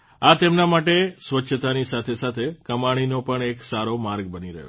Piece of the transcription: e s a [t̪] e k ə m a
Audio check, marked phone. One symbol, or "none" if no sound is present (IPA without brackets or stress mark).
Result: t̪ʰ